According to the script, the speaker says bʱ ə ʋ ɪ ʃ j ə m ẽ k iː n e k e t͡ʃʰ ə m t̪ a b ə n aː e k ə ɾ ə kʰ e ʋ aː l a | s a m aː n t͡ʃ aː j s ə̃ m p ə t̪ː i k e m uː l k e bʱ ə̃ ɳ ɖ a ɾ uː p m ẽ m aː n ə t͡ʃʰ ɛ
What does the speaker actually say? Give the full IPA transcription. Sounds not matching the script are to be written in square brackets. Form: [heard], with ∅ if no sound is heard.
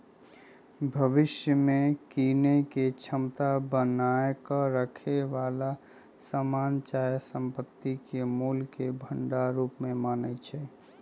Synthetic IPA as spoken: bʱ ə ʋ ɪ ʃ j ə m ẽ k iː n e k e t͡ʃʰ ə m t̪ a b ə n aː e k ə ɾ ə kʰ e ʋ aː l a | s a m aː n t͡ʃ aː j s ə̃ m p ə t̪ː i k e m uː l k e bʱ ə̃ ɳ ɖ a ɾ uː p m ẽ m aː n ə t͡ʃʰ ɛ